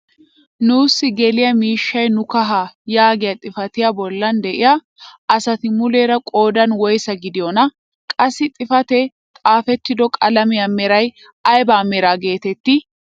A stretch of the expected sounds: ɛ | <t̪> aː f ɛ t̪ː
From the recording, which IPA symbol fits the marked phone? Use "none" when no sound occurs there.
t̪ʼ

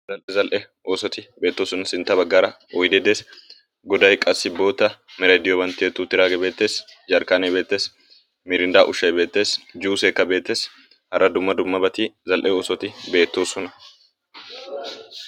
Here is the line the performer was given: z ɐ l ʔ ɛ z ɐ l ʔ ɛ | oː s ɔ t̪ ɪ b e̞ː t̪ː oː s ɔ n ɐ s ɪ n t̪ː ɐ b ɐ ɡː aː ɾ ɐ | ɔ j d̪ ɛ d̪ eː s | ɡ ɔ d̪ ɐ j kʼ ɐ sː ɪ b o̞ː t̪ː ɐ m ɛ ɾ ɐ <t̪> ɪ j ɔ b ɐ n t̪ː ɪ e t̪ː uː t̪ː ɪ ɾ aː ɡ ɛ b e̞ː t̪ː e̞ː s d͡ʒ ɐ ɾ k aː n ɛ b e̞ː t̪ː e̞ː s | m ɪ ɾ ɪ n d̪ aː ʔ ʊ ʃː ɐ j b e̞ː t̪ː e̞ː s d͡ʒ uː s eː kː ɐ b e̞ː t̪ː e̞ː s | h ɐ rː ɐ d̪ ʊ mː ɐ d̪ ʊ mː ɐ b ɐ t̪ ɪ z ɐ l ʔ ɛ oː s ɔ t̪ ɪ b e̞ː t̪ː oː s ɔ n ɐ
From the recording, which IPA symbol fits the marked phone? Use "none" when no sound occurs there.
d̪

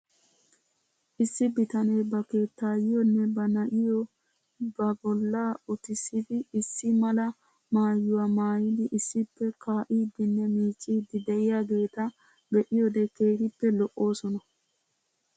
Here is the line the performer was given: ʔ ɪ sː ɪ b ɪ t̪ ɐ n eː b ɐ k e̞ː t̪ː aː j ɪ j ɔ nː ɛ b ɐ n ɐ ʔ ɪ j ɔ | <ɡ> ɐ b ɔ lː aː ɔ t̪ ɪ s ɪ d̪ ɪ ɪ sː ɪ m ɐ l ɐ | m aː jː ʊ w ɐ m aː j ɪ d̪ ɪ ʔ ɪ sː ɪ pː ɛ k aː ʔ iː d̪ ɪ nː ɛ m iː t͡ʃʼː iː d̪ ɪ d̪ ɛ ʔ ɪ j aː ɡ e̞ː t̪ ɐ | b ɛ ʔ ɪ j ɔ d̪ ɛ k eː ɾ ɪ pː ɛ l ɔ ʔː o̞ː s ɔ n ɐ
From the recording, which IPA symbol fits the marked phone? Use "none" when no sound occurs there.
b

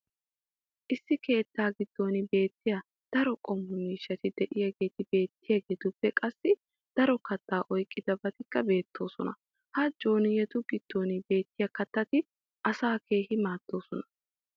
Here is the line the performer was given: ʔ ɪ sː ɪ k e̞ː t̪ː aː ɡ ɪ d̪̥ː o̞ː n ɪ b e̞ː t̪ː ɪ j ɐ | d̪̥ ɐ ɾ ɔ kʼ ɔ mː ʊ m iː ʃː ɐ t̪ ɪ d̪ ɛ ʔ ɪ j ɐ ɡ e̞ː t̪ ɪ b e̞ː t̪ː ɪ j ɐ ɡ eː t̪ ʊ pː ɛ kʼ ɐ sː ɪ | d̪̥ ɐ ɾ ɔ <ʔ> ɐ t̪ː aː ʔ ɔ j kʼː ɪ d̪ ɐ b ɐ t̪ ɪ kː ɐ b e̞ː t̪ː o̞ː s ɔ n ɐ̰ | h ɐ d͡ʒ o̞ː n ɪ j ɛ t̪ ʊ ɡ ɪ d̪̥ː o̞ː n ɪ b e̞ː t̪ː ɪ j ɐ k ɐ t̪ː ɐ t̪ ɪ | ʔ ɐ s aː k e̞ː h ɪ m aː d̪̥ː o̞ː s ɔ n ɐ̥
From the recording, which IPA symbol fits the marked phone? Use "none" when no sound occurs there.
k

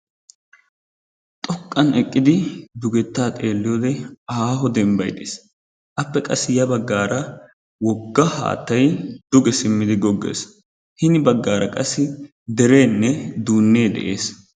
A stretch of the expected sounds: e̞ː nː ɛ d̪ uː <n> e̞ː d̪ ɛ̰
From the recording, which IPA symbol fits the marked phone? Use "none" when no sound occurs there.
nː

